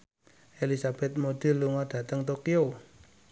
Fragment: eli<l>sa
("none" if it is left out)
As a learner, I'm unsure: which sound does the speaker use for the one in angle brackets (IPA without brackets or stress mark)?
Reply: none